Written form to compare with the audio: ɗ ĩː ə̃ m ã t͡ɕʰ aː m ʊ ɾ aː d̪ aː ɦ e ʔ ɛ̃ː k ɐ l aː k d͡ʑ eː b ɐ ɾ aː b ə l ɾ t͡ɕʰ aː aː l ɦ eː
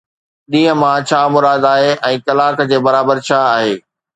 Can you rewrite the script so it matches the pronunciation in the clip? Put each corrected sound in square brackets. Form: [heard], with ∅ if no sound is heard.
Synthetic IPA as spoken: ɗ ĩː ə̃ m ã t͡ɕʰ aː m ʊ ɾ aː d̪ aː ɦ e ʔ ɛ̃ː k ɐ l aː k d͡ʑ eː b ɐ ɾ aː b ə [∅] ɾ t͡ɕʰ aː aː [∅] ɦ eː